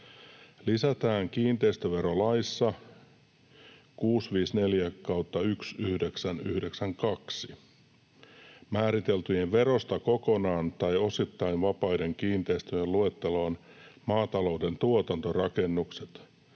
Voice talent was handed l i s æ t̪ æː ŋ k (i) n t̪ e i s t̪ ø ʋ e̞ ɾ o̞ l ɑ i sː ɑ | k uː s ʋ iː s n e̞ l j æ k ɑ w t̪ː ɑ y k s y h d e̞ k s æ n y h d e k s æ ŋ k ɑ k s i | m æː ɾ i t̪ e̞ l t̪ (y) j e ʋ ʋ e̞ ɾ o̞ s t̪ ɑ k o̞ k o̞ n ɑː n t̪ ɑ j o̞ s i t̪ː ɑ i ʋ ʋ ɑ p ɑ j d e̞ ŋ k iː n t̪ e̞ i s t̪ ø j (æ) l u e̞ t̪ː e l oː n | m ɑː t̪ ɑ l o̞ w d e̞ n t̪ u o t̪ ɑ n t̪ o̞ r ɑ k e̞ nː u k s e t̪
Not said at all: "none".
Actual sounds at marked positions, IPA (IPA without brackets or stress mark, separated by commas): iː, y, e